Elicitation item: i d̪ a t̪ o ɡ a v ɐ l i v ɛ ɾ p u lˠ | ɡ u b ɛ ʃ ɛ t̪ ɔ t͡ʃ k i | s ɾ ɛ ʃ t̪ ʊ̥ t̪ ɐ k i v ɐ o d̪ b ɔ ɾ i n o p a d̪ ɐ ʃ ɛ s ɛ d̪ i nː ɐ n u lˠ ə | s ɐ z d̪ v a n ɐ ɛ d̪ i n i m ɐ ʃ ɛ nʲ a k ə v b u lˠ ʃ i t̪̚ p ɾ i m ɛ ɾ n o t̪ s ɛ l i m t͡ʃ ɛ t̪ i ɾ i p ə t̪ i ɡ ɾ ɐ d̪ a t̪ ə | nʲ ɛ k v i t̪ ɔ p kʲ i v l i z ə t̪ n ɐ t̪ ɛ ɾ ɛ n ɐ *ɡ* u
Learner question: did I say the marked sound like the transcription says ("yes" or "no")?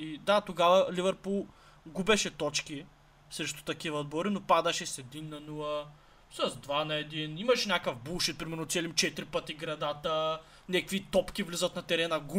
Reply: yes